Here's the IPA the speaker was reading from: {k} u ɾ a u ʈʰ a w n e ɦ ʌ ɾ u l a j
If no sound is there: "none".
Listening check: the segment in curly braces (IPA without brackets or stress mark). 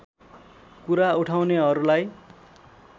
k